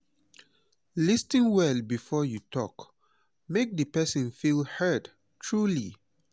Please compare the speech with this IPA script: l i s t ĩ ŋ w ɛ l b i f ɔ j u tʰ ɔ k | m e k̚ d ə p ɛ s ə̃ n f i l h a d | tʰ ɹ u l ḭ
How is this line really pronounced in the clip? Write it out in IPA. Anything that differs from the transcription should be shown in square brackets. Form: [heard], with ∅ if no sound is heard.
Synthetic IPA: l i s t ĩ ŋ w ɛ l b i f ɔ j u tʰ ɔ k | m e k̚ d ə p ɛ s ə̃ n f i l h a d | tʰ ɹ u l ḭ